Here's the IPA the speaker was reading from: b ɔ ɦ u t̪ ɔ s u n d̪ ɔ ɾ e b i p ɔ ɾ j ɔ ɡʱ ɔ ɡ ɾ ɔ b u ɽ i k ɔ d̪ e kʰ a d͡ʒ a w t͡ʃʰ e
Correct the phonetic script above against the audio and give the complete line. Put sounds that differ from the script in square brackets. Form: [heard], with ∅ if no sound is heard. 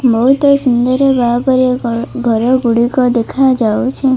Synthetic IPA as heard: b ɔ ɦ u t̪ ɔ s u n d̪ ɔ ɾ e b [a] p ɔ ɾ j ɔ ɡʱ ɔ [∅] ɾ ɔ [ɡ] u ɽ i k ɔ d̪ e kʰ a d͡ʒ a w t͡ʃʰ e